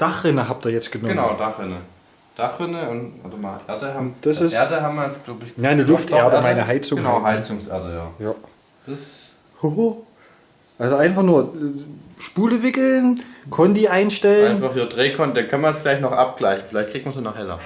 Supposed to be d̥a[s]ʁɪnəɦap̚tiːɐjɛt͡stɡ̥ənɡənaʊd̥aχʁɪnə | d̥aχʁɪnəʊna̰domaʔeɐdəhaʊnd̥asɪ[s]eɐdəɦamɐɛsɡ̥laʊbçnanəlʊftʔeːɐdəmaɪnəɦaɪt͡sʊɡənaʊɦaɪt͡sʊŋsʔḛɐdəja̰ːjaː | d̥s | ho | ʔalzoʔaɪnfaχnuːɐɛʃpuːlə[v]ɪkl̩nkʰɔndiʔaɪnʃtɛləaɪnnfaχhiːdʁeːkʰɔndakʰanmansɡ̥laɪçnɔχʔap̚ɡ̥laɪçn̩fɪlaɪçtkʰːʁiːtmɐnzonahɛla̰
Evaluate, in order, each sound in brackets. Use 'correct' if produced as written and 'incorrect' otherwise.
incorrect: χ, correct, correct

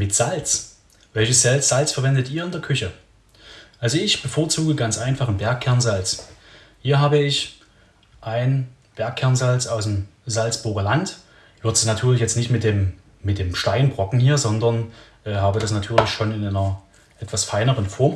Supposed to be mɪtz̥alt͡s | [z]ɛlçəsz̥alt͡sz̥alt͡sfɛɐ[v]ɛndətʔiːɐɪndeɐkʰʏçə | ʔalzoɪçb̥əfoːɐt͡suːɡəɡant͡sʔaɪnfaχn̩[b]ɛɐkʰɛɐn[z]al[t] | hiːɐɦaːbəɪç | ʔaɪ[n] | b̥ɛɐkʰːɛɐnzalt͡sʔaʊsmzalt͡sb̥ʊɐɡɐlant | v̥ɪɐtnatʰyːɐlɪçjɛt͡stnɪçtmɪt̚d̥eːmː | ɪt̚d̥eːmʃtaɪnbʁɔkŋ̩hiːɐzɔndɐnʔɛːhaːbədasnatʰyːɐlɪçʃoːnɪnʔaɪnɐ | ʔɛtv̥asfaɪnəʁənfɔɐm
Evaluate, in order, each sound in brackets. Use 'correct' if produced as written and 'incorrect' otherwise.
incorrect: v, correct, correct, correct, incorrect: t͡s, correct

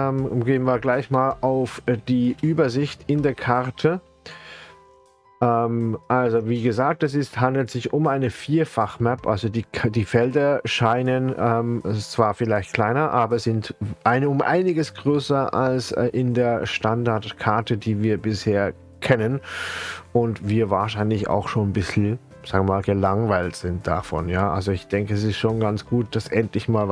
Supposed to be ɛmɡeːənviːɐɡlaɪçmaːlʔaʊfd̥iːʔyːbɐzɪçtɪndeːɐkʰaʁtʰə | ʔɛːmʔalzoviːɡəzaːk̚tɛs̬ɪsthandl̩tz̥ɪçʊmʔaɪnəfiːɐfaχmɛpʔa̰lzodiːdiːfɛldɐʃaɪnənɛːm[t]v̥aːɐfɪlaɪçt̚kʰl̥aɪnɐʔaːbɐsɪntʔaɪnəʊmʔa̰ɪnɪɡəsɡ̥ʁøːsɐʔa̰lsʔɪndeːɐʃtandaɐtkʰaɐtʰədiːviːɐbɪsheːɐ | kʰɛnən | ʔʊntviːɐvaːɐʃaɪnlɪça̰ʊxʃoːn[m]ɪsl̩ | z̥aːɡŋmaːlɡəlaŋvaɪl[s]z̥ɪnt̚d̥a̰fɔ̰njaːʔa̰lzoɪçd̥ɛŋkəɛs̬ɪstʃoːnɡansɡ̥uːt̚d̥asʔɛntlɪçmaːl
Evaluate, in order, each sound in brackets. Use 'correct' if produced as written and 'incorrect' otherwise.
incorrect: t͡s, incorrect: b, incorrect: t

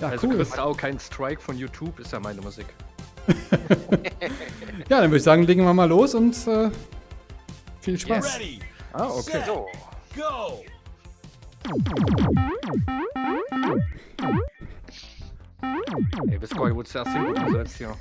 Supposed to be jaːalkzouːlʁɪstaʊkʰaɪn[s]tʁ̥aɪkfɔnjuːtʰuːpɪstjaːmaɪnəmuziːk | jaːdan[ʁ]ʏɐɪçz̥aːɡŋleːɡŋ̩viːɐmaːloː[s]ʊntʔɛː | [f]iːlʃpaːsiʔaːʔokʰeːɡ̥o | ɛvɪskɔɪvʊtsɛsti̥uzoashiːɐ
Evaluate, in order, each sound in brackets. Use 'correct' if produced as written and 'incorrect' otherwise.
correct, incorrect: v, correct, correct

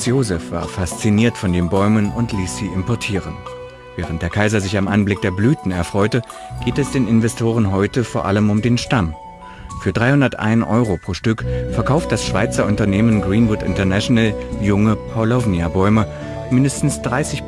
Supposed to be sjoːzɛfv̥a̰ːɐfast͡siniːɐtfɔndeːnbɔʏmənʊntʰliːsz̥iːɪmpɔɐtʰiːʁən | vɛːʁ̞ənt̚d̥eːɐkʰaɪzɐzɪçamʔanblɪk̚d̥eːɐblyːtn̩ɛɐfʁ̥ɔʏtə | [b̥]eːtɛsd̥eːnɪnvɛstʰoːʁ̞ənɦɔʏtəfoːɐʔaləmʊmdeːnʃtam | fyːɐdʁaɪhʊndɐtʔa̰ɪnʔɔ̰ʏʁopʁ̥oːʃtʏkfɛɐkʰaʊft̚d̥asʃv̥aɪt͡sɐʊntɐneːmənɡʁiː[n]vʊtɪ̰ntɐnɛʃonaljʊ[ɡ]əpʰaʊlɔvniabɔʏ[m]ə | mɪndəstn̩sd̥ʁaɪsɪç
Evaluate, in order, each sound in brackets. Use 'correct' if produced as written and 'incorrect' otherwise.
incorrect: ɡ̥, correct, incorrect: ŋ, correct

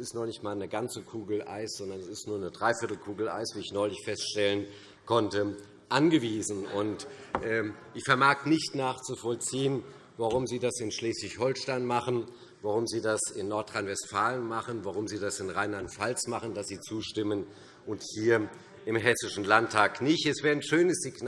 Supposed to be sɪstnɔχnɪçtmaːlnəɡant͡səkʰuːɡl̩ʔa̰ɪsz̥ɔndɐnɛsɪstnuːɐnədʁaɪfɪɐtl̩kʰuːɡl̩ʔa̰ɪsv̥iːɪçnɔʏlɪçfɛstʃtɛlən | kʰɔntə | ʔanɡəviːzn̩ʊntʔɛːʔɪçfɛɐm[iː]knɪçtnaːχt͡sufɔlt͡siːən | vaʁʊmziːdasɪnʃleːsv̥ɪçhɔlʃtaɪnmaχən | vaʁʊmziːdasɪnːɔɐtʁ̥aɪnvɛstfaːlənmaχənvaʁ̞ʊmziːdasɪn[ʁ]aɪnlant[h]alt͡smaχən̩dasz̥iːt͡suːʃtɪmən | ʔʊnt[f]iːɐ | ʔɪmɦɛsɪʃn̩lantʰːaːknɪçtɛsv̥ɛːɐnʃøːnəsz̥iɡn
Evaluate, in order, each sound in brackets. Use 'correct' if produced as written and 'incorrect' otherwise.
incorrect: aː, correct, incorrect: f, incorrect: h

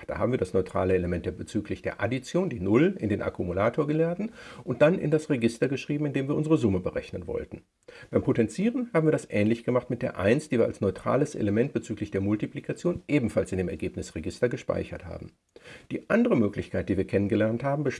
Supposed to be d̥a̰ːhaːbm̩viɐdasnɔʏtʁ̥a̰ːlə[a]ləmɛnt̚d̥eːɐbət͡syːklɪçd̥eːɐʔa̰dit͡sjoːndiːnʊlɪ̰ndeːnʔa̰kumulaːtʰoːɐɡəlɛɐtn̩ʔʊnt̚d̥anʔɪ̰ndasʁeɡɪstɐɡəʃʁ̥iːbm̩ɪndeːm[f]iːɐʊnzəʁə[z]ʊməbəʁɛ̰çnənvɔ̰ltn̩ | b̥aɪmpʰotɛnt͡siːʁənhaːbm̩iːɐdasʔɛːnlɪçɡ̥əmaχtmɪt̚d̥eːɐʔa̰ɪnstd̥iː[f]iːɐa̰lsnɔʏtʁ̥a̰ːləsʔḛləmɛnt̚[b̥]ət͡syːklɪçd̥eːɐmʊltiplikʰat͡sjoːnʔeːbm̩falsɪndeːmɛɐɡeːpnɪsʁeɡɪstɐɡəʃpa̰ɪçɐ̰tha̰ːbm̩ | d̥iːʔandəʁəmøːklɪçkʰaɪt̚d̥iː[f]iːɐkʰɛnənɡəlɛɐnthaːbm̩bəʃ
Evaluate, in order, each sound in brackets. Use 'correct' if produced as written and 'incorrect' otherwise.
incorrect: e, incorrect: v, correct, incorrect: v, correct, incorrect: v

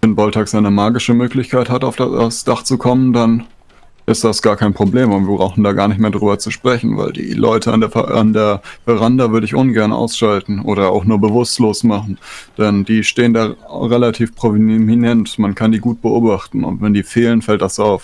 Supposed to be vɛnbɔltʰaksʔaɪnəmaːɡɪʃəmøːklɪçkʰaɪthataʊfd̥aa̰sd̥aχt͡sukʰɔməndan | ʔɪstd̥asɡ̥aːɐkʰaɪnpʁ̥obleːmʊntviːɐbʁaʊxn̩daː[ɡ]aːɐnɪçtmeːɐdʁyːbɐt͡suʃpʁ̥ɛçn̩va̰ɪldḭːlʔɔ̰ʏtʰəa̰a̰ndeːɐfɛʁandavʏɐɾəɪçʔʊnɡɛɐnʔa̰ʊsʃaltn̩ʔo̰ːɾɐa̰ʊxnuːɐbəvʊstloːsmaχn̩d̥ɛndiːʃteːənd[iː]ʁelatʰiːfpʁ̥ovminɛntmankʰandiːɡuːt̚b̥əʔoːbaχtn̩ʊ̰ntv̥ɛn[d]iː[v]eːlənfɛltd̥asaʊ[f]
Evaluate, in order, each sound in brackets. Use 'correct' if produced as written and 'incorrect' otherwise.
correct, incorrect: aː, correct, incorrect: f, correct

